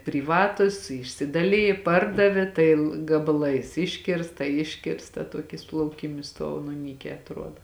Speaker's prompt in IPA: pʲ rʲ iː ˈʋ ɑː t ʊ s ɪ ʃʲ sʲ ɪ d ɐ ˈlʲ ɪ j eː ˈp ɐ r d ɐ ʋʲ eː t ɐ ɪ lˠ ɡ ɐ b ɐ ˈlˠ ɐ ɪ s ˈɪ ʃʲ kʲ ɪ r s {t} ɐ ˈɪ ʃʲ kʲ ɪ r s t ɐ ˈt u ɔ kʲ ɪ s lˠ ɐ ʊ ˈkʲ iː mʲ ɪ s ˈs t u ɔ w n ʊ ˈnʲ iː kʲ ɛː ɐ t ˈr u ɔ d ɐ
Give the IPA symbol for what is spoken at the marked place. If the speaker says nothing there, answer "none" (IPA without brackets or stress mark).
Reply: t